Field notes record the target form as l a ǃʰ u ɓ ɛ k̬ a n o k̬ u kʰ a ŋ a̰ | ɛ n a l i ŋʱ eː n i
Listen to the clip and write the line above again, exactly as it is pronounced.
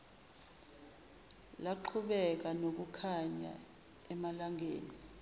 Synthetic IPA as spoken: l a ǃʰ u ɓ ɛ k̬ a n o k̬ u kʰ a ɲ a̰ | ɛ m a l a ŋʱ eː n i